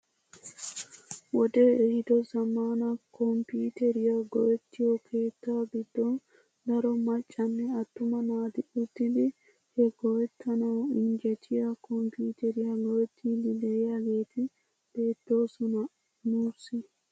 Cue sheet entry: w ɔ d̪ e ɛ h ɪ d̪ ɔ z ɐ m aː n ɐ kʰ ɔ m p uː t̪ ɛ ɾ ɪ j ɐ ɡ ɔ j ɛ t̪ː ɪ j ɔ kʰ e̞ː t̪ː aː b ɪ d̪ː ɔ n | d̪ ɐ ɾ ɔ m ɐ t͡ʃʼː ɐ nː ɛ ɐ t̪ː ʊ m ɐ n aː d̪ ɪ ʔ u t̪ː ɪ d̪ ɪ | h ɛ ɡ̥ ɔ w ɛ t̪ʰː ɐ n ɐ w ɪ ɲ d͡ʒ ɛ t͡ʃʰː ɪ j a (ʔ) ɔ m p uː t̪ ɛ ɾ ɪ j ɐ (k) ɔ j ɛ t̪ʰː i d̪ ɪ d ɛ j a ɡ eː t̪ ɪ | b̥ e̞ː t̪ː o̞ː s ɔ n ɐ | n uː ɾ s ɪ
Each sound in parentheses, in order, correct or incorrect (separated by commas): incorrect, incorrect